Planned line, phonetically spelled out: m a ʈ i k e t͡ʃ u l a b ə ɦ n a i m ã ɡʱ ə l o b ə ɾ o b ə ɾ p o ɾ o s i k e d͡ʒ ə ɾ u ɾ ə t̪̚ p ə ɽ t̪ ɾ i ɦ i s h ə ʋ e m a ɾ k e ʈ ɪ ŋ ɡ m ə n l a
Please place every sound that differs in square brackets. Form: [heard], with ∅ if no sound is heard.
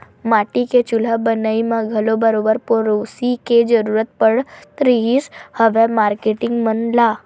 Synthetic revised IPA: m a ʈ i k e t͡ʃ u l a b ə [∅] n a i m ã ɡʱ ə l o b ə ɾ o b ə ɾ p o ɾ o s i k e d͡ʒ ə ɾ u ɾ ə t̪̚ p ə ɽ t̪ ɾ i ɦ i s h ə ʋ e m a ɾ k e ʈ ɪ ŋ ɡ m ə n l a